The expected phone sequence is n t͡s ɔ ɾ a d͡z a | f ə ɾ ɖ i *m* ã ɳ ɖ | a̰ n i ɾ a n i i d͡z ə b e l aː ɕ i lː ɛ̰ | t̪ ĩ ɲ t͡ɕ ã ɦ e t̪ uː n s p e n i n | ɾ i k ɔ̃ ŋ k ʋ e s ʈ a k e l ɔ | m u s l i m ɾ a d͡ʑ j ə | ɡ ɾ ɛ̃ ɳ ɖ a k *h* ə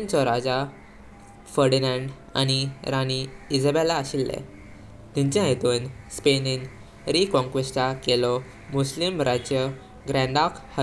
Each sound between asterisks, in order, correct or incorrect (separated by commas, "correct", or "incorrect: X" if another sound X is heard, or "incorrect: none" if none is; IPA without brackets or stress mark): incorrect: n, correct